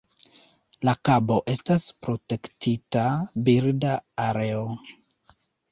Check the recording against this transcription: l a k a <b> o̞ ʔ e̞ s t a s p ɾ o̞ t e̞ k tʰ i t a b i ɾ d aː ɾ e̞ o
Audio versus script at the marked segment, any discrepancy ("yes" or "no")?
no